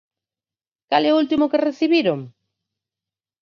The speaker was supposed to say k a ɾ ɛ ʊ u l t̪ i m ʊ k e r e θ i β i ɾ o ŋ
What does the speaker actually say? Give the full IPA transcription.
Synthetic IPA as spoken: k a l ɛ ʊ u l t̪ i m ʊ k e r e θ i β i ɾ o ŋ